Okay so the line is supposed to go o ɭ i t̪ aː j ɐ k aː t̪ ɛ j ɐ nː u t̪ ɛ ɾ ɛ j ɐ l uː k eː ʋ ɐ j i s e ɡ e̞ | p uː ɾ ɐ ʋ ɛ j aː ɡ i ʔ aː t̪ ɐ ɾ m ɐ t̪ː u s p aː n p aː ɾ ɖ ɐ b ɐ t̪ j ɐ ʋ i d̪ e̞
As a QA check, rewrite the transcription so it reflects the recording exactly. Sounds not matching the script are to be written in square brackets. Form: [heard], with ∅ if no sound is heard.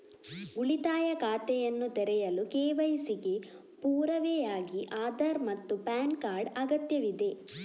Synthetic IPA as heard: [u] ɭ i t̪ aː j ɐ k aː t̪ ɛ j ɐ nː u t̪ ɛ ɾ ɛ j ɐ l [u] k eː ʋ ɐ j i s [i] ɡ e̞ | p uː ɾ ɐ ʋ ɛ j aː ɡ i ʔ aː [d̪] ɐ ɾ m ɐ t̪ː u [∅] p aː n [k] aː ɾ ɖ ɐ [ɡ] ɐ t̪ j ɐ ʋ i d̪ e̞

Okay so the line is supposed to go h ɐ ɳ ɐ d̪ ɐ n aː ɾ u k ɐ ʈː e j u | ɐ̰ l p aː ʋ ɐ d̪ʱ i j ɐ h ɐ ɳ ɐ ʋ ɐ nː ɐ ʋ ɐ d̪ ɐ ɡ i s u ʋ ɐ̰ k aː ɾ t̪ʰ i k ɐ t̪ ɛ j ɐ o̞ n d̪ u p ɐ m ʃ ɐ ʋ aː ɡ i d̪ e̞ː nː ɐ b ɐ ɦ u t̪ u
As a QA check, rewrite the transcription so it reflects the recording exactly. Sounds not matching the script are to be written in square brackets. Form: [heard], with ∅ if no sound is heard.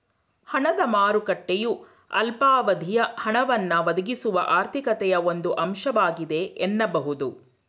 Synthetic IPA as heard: h ɐ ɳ ɐ d̪ ɐ [m] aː ɾ u k ɐ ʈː e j u | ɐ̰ l p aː ʋ ɐ d̪ʱ i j ɐ h ɐ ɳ ɐ ʋ ɐ nː ɐ ʋ ɐ d̪ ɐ ɡ i s u ʋ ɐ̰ [ʔ] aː ɾ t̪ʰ i k ɐ t̪ ɛ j ɐ o̞ n d̪ u [ʔ] ɐ m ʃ ɐ ʋ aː ɡ i d̪ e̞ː nː ɐ b ɐ ɦ u [d̪] u

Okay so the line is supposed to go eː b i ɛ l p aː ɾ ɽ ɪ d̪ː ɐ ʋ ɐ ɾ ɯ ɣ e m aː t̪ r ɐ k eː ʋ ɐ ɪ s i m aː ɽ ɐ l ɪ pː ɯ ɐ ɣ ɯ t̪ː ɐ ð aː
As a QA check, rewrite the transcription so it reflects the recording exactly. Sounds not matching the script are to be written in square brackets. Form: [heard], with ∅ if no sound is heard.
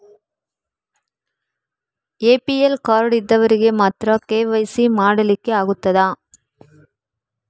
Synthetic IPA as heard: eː [p] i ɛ l [k] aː ɾ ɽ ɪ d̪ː ɐ ʋ ɐ ɾ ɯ ɣ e m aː t̪ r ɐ k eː ʋ ɐ ɪ s i m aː ɽ ɐ l ɪ [kː] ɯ ɐ ɣ ɯ t̪ː ɐ ð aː

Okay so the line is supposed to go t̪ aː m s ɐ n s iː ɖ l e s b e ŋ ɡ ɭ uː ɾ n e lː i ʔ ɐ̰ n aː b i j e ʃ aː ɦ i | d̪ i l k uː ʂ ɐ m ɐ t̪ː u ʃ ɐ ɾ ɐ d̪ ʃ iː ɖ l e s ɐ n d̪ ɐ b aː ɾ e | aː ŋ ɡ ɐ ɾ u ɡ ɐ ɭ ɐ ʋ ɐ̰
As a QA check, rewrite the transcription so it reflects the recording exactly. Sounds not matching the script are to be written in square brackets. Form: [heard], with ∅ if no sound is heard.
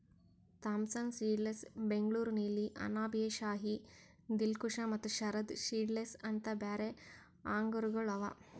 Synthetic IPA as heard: t̪ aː m s ɐ n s iː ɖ l e s b e ŋ ɡ ɭ uː ɾ n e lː i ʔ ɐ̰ n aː b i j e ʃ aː ɦ i | d̪ i l k [u] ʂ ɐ m ɐ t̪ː u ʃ ɐ ɾ ɐ d̪ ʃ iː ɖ l e s ɐ n [t̪] ɐ b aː ɾ e | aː ŋ ɡ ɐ ɾ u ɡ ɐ ɭ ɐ ʋ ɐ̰

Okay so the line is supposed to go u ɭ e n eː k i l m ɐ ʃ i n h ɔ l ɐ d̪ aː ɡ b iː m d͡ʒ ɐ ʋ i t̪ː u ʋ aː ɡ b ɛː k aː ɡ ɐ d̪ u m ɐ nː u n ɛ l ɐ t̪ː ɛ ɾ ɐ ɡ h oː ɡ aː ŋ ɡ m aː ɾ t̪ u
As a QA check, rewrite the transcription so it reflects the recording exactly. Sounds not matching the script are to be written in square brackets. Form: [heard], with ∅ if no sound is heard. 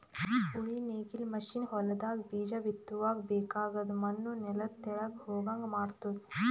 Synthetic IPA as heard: u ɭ [i] n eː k i l m ɐ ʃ i n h ɔ l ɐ d̪ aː ɡ b iː [∅] d͡ʒ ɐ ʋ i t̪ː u ʋ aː ɡ b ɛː k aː ɡ ɐ d̪ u m ɐ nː u n ɛ l ɐ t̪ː ɛ [ɭ] ɐ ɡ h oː ɡ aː ŋ ɡ m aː ɾ t̪ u

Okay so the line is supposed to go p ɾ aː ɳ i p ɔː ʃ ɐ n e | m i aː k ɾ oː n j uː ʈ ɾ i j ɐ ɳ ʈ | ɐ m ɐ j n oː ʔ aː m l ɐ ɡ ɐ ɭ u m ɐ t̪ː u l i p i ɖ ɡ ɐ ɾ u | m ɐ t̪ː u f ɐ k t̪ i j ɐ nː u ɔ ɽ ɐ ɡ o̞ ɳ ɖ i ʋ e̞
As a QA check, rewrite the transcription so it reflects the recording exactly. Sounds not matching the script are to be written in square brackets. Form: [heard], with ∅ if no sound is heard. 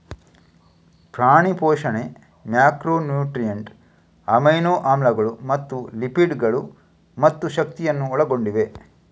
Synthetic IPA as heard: p ɾ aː ɳ i p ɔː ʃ ɐ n e | m [j] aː k ɾ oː n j uː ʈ ɾ i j ɐ ɳ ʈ | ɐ m ɐ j n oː ʔ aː m l ɐ ɡ ɐ ɭ u m ɐ t̪ː u l i p i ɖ ɡ ɐ [ɭ] u | m ɐ t̪ː u [ʃ] ɐ k t̪ i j ɐ nː u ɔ [ɭ] ɐ ɡ o̞ ɳ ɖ i ʋ e̞

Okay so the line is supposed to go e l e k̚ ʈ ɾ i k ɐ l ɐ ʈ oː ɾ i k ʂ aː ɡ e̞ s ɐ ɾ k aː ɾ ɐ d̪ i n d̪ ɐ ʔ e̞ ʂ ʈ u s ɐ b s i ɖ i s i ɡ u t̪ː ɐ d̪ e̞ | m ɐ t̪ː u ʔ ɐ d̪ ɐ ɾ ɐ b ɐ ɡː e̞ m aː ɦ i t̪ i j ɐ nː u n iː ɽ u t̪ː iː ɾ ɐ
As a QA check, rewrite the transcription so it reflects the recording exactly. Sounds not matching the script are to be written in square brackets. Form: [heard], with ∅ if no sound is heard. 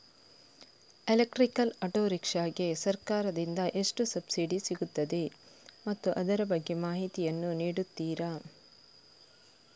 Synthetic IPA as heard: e l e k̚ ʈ ɾ i k ɐ l ɐ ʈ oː ɾ i k ʂ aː ɡ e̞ s ɐ ɾ k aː ɾ ɐ d̪ i n d̪ ɐ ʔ e̞ ʂ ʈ u s ɐ b s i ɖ i s i ɡ u t̪ː ɐ d̪ e̞ | m ɐ t̪ː u ʔ ɐ d̪ ɐ ɾ ɐ b ɐ ɡː e̞ m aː ɦ i t̪ i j ɐ nː u n iː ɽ u t̪ː iː ɾ ɐ

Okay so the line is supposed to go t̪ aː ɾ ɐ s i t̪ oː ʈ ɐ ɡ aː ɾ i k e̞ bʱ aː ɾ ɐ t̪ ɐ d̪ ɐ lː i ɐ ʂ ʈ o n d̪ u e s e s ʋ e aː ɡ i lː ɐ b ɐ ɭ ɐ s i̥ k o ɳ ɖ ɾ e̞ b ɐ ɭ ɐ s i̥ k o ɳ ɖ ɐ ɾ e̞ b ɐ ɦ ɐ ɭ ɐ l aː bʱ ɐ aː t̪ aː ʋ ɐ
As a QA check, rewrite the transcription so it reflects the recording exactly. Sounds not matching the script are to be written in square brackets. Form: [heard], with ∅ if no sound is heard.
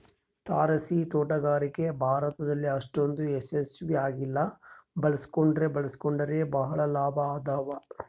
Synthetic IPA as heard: t̪ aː ɾ ɐ s i t̪ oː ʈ ɐ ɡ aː ɾ i k e̞ bʱ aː ɾ ɐ t̪ ɐ d̪ ɐ lː i ɐ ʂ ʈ o n d̪ u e s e s ʋ [i] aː ɡ i lː ɐ b ɐ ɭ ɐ s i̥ k o ɳ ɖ ɾ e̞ b ɐ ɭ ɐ s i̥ k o ɳ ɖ ɐ ɾ e̞ b ɐ ɦ ɐ ɭ ɐ l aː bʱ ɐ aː [d̪] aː ʋ ɐ

